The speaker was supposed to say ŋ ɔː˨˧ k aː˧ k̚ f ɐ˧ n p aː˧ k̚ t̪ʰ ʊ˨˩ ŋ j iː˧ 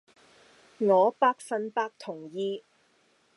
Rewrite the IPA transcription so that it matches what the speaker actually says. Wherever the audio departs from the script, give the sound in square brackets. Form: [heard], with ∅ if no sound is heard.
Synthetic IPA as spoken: ŋ ɔː˨˧ [p] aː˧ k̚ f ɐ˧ n p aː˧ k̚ t̪ʰ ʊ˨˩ ŋ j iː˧